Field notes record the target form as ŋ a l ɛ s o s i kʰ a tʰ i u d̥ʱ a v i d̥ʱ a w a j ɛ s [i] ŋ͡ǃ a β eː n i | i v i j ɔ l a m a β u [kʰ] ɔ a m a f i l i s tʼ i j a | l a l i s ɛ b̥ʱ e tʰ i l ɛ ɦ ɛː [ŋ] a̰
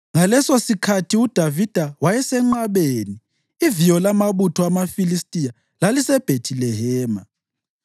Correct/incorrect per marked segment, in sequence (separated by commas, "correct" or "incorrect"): incorrect, incorrect, incorrect